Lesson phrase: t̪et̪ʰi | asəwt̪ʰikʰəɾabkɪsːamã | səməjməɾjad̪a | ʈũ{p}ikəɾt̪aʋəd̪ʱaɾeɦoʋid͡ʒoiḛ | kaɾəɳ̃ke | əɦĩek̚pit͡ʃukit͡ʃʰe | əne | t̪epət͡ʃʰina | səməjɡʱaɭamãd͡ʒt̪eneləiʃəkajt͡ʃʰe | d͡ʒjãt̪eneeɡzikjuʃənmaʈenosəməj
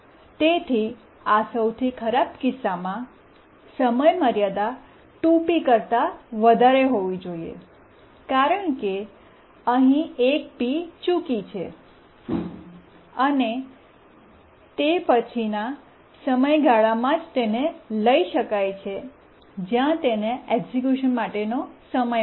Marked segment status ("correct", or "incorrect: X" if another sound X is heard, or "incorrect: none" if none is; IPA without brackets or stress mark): correct